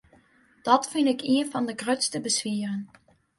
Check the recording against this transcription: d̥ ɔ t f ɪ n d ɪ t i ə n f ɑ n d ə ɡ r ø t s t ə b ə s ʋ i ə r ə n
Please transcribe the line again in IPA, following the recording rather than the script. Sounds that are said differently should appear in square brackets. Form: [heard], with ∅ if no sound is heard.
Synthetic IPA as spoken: d̥ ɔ t f ɪ n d ɪ [k] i ə n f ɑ n d ə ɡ r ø t s t ə b ə s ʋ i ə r ə n